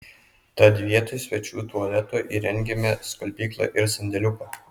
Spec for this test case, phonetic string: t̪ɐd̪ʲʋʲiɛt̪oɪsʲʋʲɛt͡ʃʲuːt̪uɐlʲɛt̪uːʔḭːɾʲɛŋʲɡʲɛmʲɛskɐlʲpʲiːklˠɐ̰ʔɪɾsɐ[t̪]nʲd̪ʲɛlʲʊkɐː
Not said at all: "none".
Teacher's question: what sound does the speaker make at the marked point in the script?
none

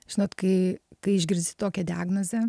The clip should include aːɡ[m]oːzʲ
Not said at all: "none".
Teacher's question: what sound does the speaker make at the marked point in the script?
n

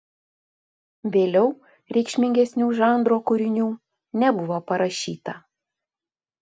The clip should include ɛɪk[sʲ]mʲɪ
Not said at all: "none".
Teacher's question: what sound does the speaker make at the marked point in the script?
ʃʲ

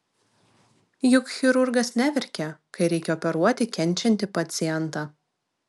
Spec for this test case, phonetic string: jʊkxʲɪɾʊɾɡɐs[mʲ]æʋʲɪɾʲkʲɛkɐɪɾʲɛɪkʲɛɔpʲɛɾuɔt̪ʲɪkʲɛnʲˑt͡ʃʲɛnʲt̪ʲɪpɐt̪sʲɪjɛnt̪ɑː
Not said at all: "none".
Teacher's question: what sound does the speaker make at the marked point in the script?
nʲ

